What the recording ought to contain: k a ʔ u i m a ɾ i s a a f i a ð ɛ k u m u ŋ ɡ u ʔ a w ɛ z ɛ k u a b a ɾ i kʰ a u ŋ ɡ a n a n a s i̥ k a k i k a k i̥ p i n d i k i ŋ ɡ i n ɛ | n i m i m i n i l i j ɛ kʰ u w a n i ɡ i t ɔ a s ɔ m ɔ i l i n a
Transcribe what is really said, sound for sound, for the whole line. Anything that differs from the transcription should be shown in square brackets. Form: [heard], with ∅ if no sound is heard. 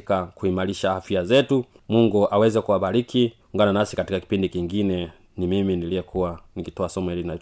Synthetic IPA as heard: k a [k] u i m a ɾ i [ʃ] a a f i a [z] ɛ [t] u m u ŋ ɡ u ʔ a w ɛ z ɛ k u a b a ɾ i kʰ [i] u ŋ ɡ a n a n a s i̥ k a [t] i k a k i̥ p i n d i k i ŋ ɡ i n ɛ | n i m i m i n i l i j ɛ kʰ u w a n i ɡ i t ɔ a s ɔ m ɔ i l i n a